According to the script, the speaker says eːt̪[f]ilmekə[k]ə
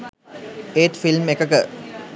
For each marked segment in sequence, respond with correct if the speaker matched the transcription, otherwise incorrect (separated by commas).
correct, correct